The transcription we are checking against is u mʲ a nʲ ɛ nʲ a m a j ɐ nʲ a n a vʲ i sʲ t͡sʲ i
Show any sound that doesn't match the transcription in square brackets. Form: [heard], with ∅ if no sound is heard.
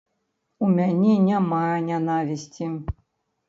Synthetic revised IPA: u mʲ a nʲ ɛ nʲ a m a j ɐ nʲ a n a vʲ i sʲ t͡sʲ i